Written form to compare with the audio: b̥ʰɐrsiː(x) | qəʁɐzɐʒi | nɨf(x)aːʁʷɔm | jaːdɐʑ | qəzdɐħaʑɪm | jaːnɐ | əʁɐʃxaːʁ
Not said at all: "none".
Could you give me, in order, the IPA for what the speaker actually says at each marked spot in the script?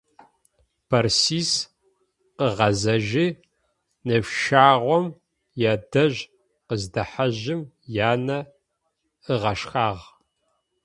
s, ʃ

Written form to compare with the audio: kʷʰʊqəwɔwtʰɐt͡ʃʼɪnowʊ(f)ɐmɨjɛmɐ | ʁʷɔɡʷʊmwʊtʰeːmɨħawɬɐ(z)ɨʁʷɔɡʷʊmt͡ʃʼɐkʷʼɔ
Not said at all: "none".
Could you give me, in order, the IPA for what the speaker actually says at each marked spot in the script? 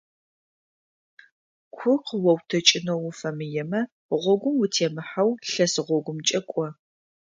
f, s

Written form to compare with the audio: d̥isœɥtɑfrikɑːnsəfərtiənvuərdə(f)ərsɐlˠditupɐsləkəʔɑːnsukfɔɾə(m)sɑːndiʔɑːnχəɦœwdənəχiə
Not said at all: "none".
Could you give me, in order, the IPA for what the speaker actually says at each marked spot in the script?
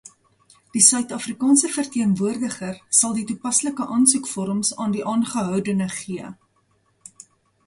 χ, m

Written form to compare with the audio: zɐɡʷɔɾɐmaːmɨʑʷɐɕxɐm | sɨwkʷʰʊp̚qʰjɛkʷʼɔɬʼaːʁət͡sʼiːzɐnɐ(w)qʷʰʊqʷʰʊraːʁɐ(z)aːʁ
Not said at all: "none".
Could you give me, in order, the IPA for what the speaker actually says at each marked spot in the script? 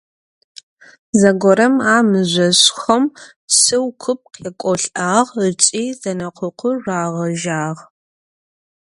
none, ʒ

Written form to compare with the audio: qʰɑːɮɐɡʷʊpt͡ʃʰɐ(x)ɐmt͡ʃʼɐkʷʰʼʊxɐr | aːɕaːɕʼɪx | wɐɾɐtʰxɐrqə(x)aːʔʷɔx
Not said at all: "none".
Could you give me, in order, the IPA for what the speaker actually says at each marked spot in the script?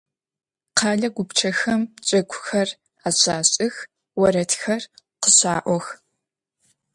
x, ɕ

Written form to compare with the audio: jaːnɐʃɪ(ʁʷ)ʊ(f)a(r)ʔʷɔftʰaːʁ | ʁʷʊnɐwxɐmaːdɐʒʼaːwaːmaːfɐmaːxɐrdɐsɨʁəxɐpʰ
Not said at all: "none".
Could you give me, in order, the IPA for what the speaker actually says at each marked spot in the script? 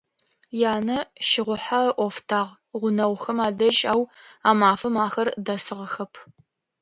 ʁʷ, ħ, none

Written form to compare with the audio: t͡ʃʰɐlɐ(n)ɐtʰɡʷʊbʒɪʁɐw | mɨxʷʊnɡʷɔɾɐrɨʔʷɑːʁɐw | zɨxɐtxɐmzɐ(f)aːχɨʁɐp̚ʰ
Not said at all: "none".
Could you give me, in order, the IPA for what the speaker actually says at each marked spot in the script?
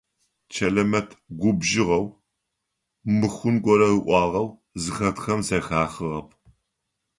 m, x

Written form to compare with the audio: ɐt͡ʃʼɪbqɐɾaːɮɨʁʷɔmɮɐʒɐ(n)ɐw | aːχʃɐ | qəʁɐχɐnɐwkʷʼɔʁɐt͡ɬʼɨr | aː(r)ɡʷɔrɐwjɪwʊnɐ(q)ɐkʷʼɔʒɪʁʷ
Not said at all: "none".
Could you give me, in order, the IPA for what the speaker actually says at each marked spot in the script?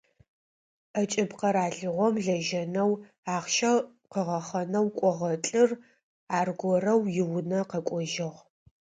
n, r, q

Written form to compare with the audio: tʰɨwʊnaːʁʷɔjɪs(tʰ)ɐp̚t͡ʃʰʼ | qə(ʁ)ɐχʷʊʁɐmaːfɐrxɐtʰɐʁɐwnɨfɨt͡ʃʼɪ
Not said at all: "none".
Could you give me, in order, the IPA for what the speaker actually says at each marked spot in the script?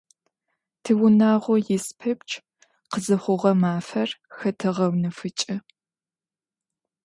pʰ, z

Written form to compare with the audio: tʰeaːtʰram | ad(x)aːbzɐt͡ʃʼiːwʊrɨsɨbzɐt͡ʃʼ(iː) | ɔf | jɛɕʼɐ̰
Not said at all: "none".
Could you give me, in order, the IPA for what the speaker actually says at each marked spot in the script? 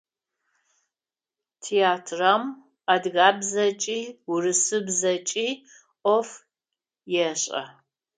ɣ, iː

